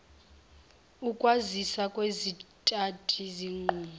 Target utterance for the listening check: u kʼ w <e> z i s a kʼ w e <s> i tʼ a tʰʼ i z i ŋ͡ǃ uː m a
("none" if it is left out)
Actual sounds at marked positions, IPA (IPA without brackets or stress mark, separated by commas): a, z